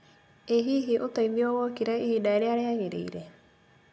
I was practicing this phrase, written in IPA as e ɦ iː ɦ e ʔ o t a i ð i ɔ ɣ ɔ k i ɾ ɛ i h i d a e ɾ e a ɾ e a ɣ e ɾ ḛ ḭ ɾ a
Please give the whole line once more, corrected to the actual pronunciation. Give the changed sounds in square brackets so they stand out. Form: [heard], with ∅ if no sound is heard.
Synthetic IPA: e ɦ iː ɦ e ʔ o t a i ð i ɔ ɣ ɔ k i ɾ ɛ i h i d a e ɾ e a ɾ e a ɣ e ɾ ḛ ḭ ɾ [ɛ]

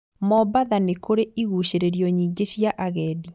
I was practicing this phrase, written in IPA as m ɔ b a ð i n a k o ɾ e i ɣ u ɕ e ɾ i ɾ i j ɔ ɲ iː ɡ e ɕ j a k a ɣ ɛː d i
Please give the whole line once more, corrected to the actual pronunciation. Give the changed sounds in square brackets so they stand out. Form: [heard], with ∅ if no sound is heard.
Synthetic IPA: m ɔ b a ð [a] n [e] k o ɾ e i ɣ u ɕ e ɾ [e] ɾ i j ɔ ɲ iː ɡ e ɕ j a [ʔ] a ɣ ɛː d i

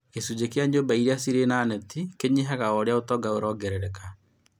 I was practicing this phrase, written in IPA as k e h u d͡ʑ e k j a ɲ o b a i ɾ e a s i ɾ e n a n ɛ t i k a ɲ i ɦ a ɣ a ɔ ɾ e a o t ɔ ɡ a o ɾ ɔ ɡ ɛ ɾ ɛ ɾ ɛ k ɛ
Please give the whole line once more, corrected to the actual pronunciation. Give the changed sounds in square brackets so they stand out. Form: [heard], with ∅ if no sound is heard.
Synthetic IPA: k e [s] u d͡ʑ e k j a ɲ o b a i ɾ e a s i ɾ e n a n ɛ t i k [e] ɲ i ɦ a ɣ a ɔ ɾ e a o t ɔ ɡ a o ɾ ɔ ɡ ɛ ɾ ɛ ɾ ɛ k [a]

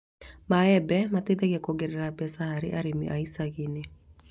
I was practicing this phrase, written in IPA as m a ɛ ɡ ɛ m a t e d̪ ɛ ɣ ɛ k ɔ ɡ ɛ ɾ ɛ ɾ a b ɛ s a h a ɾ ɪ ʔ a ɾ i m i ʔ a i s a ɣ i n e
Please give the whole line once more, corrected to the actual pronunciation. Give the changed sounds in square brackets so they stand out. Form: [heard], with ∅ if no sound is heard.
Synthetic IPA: m a ɛ [b] ɛ m a t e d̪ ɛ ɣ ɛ k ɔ ɡ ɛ ɾ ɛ ɾ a b ɛ s a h a ɾ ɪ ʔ a ɾ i m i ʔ a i s a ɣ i n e

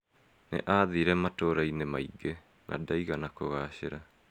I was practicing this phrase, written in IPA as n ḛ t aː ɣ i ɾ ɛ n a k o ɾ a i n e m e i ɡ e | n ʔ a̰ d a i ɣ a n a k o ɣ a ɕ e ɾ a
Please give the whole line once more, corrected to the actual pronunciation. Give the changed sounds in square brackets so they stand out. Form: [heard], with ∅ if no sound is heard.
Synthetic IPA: n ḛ [ʔ] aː [ð] i ɾ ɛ [m] a [t] o ɾ a i n e m [a] i ɡ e | n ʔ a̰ d a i ɣ a n a k o ɣ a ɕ e ɾ a

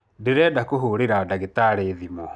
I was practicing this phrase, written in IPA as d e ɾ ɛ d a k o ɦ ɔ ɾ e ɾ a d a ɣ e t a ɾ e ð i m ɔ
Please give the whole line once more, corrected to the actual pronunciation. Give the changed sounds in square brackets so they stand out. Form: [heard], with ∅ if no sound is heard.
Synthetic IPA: d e ɾ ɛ d a k o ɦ [o] ɾ e ɾ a d a ɣ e t a ɾ e ð i m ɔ

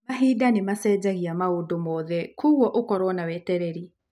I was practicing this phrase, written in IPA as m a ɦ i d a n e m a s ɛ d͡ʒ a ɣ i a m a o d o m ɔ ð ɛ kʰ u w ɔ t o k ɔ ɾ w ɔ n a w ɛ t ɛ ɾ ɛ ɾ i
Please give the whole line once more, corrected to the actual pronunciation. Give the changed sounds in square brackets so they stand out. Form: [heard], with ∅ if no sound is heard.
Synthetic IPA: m a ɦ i d a n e m a s ɛ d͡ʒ a ɣ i a m a o d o m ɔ ð ɛ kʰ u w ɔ [ʔ] o k ɔ ɾ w ɔ n a w ɛ t ɛ ɾ ɛ ɾ i

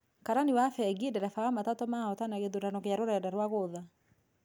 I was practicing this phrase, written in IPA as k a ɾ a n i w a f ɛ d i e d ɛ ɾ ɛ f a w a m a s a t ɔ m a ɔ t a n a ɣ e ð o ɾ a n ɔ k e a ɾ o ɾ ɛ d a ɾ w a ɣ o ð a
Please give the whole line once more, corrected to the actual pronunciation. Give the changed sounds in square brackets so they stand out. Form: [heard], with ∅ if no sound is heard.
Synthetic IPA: k a ɾ a n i w a f ɛ [ɡ] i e d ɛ ɾ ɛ f a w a m a [t] a t ɔ m a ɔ t a n a ɣ e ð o ɾ a n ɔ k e a ɾ o ɾ ɛ d a ɾ w a ɣ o ð a

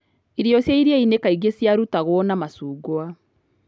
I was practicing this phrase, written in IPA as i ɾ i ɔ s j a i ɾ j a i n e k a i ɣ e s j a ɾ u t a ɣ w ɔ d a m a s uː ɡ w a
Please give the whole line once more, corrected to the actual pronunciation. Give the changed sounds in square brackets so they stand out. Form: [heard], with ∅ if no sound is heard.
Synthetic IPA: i ɾ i ɔ s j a i ɾ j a i n e k a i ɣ e s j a ɾ u t a ɣ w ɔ [n] a m a s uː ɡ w a

